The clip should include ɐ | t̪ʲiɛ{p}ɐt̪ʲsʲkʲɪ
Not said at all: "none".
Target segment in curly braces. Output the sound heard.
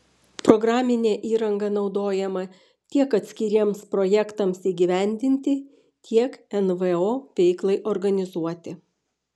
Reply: k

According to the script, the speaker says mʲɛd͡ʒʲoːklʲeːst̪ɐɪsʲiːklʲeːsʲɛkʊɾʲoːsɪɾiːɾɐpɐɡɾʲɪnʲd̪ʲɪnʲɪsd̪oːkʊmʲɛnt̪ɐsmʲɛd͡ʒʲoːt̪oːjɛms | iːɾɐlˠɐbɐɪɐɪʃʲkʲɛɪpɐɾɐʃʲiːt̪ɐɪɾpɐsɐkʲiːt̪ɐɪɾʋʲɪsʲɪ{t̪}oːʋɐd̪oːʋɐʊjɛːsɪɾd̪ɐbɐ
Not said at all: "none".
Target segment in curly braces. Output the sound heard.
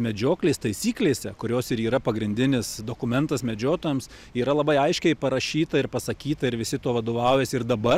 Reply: t̪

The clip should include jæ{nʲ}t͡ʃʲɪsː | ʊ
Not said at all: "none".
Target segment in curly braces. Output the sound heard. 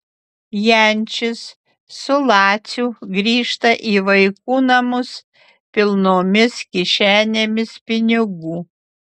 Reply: nʲ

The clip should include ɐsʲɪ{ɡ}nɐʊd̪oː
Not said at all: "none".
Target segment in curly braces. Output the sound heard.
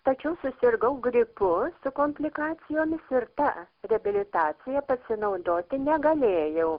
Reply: none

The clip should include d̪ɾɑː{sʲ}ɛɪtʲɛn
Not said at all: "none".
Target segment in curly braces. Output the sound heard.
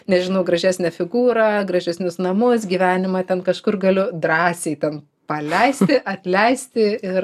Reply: sʲ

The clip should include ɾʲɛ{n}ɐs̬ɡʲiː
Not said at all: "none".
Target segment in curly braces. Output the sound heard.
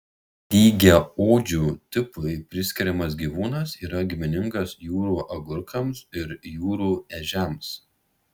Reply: m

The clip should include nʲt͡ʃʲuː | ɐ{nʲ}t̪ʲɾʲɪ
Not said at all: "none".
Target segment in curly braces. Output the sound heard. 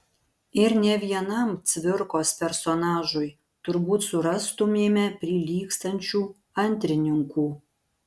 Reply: nʲ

